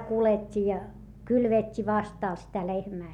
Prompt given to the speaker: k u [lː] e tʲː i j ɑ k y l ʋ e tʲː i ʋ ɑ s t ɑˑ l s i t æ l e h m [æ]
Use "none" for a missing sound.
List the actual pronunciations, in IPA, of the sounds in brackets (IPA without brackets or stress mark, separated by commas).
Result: l, æː